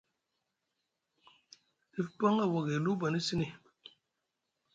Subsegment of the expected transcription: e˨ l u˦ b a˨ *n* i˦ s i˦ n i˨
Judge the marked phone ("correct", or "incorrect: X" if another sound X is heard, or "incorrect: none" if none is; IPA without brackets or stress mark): correct